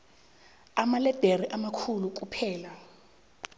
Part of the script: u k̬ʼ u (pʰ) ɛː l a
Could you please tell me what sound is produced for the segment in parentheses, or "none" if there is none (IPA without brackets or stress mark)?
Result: pʰ